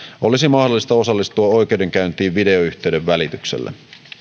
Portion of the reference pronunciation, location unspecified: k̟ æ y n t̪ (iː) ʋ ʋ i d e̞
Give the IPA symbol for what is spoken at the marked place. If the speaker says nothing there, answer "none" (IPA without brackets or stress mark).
iː